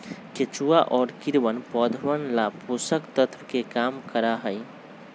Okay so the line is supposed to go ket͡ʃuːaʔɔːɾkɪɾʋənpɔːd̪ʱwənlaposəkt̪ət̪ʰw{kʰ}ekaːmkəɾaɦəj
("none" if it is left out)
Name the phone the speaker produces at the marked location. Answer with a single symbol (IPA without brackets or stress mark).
k